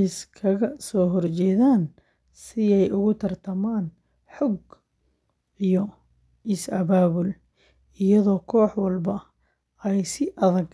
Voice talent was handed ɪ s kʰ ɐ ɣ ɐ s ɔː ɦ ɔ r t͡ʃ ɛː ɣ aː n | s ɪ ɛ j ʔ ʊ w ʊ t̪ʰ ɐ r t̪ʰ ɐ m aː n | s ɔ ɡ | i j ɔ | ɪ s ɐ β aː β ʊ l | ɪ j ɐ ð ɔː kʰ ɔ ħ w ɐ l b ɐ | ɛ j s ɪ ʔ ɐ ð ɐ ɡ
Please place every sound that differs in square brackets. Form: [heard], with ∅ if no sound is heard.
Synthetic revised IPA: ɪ s kʰ ɐ ɣ ɐ s ɔː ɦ ɔ r t͡ʃ ɛː [ð] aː n | s ɪ ɛ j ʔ ʊ [ɣ] ʊ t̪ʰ ɐ r t̪ʰ ɐ m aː n | [ħ] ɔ ɡ | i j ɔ | ɪ s ɐ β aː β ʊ l | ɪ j ɐ ð ɔː kʰ [ɔː] ħ w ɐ l b ɐ | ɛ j s ɪ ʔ ɐ ð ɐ ɡ